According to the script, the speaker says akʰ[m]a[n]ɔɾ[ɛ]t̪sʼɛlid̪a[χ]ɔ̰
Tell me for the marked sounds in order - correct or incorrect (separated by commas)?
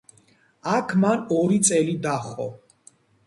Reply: correct, correct, incorrect, correct